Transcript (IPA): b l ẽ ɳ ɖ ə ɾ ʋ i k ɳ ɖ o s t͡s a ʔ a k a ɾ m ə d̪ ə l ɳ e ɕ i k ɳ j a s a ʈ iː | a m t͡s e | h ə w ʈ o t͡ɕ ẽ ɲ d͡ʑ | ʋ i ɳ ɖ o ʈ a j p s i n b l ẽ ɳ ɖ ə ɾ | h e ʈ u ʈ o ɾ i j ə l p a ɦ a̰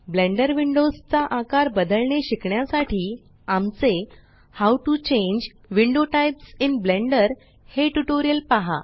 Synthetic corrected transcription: b l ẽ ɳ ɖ ə ɾ ʋ i ɳ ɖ o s t͡s a ʔ a k a ɾ b ə d̪ ə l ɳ e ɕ i k ɳ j a s a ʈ iː | a m t͡s e | h a w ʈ u t͡ɕ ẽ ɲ d͡ʑ | ʋ i ɳ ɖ o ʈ a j p s i n b l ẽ ɳ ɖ ə ɾ | h e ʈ u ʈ o ɾ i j ə l p a ɦ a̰